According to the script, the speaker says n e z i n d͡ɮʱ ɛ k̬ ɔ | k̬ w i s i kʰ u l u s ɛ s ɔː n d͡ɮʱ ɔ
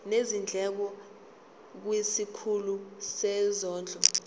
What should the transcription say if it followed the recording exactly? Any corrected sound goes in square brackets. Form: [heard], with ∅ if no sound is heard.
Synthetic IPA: n e z i n d͡ɮʱ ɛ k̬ ɔ | k̬ w i s i kʰ u l u s ɛ [z] ɔː n d͡ɮʱ ɔ

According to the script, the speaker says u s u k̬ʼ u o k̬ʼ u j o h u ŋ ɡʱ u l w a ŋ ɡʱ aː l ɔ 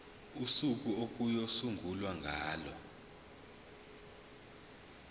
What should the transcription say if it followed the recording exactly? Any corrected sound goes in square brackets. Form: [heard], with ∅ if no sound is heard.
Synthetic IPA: u s u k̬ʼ u o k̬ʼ u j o [s] u ŋ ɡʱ u l w a ŋ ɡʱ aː l ɔ

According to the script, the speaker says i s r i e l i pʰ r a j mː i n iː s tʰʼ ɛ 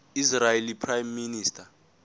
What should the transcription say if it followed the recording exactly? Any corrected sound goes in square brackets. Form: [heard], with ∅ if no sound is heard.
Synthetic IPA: i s r [a] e l i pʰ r a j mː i n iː s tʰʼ [a]

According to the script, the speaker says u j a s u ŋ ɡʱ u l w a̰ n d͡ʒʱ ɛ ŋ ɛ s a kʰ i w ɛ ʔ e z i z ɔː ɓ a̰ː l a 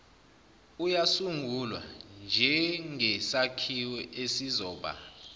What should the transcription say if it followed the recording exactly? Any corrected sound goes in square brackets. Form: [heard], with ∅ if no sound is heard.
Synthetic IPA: u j a s u ŋ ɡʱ u l w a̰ n d͡ʒʱ ɛ ŋ ɛ s a kʰ i w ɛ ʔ e [s] i z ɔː ɓ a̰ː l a

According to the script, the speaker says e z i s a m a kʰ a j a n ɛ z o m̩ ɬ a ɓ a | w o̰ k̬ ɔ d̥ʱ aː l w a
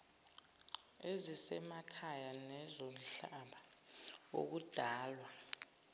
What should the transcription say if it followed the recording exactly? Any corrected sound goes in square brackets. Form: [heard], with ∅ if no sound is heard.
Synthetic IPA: e z i s [ɛ] m a kʰ a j a n ɛ z o m̩ ɬ a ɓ a | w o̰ k̬ [u] d̥ʱ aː l w a

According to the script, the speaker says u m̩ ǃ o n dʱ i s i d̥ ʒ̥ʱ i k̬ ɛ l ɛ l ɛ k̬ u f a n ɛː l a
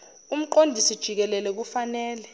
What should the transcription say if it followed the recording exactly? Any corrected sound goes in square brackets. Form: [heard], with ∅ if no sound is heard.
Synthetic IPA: u m̩ ǃ o n dʱ i s i d̥ ʒ̥ʱ i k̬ ɛ l ɛ l ɛ k̬ u f a n ɛː l [ɛ]

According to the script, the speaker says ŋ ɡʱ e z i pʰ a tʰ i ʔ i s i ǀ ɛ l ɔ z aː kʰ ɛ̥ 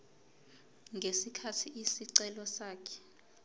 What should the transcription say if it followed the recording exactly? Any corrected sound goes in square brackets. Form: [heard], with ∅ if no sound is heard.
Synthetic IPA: ŋ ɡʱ e [s] i [kʰ] a tʰ i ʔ i s i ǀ ɛ l ɔ [s] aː kʰ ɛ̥

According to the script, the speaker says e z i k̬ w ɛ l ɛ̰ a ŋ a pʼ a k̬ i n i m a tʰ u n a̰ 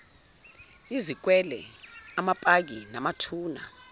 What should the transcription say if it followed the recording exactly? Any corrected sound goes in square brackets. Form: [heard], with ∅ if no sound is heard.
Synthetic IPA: [i] z i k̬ w ɛ l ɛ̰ a [m] a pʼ a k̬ i n [a] m a tʰ [uː] n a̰

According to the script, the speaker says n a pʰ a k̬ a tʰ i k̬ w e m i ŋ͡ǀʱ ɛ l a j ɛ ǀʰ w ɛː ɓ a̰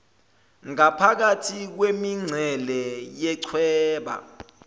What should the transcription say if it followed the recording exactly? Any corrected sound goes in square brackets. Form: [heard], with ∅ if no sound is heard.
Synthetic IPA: [ŋ] a pʰ a k̬ a tʰ i k̬ w e m i ŋ͡ǀʱ ɛ l [ɛ] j ɛ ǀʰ w ɛː ɓ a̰

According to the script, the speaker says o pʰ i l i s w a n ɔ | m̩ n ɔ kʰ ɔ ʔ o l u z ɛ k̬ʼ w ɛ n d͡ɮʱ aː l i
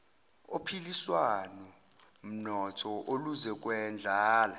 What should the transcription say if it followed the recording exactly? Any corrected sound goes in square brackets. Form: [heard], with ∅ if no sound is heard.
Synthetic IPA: o pʰ i l i s w a n ɔ | m̩ n ɔ [tʰ] ɔ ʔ o l u z ɛ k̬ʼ w ɛ n d͡ɮʱ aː l [a]

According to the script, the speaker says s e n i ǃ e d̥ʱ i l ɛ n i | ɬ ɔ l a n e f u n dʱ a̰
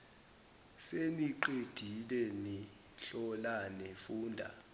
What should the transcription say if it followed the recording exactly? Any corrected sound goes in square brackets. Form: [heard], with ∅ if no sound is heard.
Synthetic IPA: s e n i ǃ e d̥ʱ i l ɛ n i | ɬ ɔ l a n e f [uː] n dʱ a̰

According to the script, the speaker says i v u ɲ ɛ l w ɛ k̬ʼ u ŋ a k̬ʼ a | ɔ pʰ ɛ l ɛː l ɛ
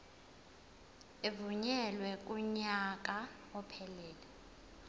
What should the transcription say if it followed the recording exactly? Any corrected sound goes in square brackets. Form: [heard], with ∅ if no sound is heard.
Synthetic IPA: [e] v u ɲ ɛ l w ɛ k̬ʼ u [ɲ] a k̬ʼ a | ɔ pʰ ɛ l ɛː l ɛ

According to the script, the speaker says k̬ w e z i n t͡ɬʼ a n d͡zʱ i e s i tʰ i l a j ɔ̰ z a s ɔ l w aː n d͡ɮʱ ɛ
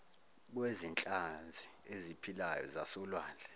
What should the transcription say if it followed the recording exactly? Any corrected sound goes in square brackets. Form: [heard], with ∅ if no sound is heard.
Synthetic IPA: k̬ w e z i n t͡ɬʼ a n d͡zʱ i e [z] i [pʰ] i l a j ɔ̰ z a s ɔ l w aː n d͡ɮʱ ɛ

